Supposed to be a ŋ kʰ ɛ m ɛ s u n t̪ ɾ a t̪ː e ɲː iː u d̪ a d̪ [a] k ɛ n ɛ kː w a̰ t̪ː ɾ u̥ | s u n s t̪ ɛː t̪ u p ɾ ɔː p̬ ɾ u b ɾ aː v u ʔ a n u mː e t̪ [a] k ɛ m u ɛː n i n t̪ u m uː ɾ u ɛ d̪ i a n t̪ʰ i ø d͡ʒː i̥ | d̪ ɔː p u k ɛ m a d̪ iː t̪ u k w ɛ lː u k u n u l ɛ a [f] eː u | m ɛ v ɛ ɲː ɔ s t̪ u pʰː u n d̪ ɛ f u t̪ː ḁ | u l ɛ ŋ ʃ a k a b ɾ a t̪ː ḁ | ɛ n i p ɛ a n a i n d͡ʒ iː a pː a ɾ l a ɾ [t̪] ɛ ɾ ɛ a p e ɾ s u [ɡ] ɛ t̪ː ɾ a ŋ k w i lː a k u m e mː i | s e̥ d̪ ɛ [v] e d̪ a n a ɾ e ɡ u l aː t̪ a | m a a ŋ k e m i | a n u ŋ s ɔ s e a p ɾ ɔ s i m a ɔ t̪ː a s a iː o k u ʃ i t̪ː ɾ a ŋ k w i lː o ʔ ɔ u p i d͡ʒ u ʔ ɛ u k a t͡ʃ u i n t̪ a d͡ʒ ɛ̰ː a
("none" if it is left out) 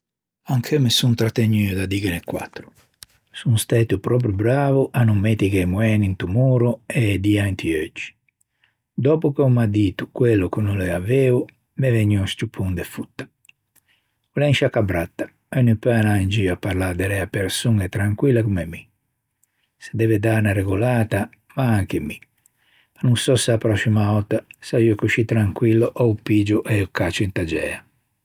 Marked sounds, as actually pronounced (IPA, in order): i, i, v, d̪, ŋ, v

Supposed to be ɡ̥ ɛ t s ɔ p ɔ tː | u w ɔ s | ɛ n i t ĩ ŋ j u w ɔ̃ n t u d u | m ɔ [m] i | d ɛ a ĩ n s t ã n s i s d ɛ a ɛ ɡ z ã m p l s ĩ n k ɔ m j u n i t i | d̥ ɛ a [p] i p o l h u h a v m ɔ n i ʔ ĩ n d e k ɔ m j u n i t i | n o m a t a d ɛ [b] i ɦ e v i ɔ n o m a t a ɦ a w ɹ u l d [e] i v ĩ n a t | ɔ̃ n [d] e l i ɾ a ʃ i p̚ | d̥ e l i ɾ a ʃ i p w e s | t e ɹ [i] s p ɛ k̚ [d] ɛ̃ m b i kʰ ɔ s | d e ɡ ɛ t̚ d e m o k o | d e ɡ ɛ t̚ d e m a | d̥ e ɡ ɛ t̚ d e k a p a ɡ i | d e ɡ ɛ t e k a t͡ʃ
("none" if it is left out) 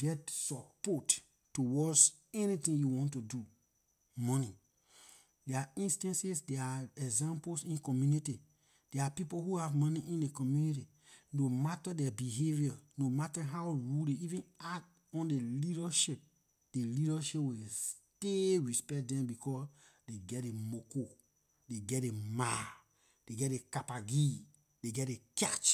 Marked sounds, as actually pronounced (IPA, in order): n, p, b, e, d, i, d

